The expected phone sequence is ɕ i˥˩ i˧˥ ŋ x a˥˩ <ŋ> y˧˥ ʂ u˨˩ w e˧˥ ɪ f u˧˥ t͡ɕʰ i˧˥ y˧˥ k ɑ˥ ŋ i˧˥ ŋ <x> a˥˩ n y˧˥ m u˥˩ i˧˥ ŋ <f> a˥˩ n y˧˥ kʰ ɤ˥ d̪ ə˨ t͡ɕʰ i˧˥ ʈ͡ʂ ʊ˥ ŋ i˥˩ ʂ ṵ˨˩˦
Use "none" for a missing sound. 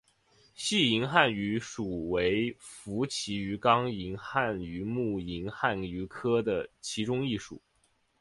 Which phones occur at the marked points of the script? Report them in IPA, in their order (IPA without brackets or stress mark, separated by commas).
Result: n, x, x